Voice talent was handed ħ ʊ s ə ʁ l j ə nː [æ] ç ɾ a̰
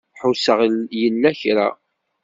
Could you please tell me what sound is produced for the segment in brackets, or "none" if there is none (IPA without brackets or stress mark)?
æ